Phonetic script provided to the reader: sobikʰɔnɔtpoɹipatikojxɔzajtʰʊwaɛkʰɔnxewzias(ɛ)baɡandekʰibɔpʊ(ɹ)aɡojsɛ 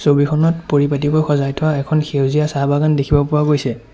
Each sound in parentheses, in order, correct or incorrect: incorrect: a, correct

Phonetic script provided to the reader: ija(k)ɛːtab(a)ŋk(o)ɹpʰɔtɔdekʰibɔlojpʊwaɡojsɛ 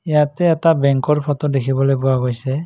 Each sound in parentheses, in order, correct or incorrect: incorrect: t, incorrect: ɛ, incorrect: ɔ

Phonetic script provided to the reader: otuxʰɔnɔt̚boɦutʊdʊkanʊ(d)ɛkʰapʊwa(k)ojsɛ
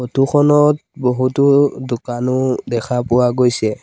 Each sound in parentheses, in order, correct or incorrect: correct, incorrect: ɡ

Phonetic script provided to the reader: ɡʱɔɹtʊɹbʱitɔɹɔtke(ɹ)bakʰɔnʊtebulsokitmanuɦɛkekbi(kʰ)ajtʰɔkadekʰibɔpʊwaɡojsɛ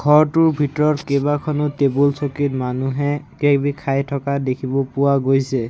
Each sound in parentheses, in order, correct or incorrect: incorrect: none, correct

